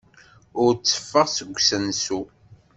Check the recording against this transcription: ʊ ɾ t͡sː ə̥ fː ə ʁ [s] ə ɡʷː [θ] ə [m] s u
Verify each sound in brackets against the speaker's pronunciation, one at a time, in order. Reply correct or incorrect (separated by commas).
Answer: correct, incorrect, incorrect